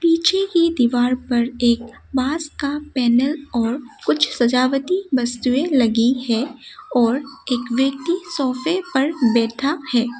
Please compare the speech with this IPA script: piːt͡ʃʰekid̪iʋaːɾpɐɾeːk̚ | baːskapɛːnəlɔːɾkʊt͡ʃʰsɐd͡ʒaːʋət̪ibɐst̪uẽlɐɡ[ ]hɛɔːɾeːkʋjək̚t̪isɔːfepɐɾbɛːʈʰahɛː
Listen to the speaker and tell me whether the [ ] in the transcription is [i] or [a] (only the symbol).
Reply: i